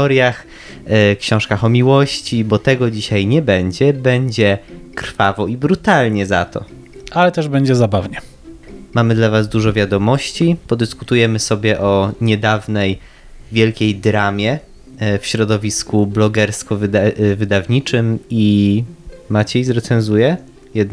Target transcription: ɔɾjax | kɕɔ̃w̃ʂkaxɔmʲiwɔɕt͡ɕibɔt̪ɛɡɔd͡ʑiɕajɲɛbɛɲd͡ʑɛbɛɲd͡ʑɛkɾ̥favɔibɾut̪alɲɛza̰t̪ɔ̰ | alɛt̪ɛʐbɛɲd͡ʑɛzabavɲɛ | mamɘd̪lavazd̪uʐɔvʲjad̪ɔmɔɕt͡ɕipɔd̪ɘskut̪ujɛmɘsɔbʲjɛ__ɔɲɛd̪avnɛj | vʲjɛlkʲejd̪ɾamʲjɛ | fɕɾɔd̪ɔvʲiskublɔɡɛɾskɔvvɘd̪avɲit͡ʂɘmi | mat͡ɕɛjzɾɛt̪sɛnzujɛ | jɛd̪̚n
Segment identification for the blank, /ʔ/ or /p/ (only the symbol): ʔ